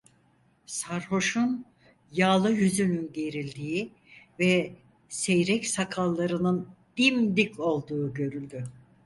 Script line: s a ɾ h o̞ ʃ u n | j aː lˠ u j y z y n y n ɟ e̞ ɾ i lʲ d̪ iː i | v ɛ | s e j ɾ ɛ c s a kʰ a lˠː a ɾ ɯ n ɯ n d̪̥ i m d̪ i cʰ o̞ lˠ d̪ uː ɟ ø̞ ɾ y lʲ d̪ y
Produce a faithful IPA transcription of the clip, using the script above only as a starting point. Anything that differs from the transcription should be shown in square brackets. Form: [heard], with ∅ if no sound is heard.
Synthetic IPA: s a ɾ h o̞ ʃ u n | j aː lˠ [ɯ] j y z y n y n ɟ e̞ ɾ i lʲ d̪ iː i | v ɛ | s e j ɾ ɛ c s a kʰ a lˠː a ɾ ɯ n ɯ n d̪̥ i m d̪ i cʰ o̞ lˠ d̪ uː ɟ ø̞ ɾ y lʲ d̪ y